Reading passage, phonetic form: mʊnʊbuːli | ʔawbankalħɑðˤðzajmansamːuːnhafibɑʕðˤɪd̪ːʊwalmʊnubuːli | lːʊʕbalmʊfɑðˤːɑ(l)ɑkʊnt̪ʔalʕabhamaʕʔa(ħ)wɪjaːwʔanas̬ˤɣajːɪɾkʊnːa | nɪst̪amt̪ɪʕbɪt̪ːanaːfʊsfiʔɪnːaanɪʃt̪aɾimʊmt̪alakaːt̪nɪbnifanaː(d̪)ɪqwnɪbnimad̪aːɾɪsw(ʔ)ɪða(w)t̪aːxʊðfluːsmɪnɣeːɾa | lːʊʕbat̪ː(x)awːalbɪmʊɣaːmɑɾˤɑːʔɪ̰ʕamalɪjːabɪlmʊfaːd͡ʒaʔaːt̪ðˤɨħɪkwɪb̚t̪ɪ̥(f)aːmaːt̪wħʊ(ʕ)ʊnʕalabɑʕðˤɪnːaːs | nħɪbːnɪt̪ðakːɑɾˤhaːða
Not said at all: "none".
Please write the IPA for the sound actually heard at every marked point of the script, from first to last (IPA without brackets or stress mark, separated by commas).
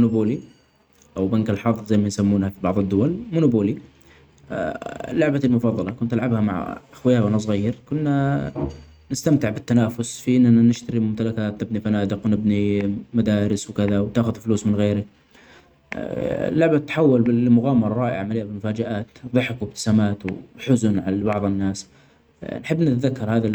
l, x, d̪, k, w, ħ, s, z